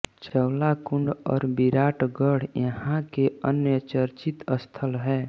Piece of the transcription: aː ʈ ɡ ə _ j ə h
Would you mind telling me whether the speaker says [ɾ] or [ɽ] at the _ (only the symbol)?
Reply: ɽ